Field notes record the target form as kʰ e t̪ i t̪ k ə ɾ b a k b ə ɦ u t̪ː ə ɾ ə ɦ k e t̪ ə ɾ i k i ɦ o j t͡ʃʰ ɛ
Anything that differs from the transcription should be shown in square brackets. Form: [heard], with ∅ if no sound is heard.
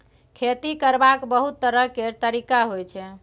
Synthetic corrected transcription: kʰ e t̪ i [∅] k ə ɾ b a k b ə ɦ u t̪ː ə ɾ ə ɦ k e t̪ ə ɾ i k [a] ɦ o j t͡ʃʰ ɛ